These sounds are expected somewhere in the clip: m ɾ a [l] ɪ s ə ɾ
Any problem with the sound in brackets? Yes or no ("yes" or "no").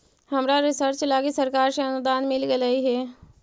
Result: yes